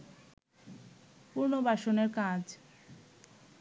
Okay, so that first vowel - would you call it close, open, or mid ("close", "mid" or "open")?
close